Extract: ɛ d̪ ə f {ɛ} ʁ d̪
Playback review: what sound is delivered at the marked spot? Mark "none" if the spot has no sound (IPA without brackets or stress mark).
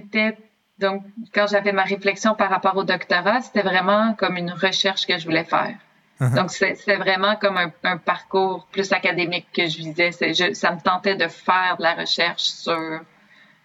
ɛː